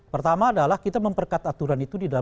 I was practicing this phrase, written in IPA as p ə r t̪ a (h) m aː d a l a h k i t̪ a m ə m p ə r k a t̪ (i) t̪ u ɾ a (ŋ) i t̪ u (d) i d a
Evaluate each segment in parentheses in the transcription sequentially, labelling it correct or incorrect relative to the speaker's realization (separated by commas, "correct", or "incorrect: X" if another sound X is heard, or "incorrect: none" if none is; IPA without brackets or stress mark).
incorrect: none, incorrect: a, incorrect: n, correct